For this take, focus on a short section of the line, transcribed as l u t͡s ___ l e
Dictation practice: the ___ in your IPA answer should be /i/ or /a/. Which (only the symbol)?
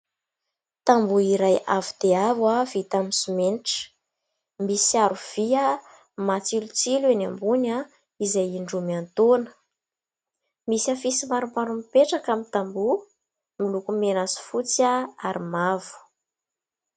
i